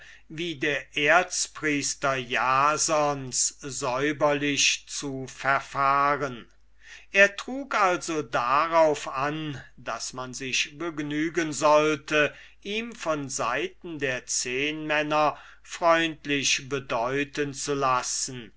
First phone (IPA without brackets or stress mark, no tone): v